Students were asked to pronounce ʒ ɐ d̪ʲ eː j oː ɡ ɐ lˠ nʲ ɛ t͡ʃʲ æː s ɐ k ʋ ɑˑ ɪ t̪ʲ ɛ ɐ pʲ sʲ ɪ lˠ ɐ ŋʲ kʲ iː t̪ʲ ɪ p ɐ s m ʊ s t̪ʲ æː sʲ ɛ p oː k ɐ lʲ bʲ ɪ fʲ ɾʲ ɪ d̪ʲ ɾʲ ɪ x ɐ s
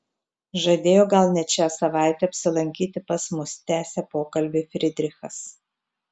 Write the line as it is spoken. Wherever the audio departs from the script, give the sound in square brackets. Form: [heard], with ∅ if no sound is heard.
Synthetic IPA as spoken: ʒ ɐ d̪ʲ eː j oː ɡ ɐ lˠ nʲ ɛ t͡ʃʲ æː s ɐ [∅] ʋ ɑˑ ɪ t̪ʲ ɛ ɐ pʲ sʲ ɪ lˠ ɐ ŋʲ kʲ iː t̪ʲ ɪ p ɐ s m ʊ s t̪ʲ æː sʲ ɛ p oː k ɐ lʲ bʲ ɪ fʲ ɾʲ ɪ d̪ʲ ɾʲ ɪ x ɐ s